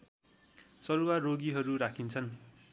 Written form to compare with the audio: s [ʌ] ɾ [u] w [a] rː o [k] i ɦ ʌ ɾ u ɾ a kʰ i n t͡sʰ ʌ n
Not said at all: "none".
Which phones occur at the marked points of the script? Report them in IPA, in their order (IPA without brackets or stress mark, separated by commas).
ʌ, u, a, ɡ